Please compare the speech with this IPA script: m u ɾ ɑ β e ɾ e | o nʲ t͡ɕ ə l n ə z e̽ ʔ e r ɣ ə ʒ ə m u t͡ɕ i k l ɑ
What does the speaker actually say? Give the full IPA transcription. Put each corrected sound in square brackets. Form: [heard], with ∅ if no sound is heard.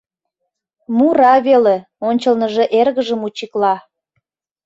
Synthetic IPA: m u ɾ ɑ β e [l] e | o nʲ t͡ɕ ə l n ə [ʒ] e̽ ʔ e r ɣ ə ʒ ə m u t͡ɕ i k l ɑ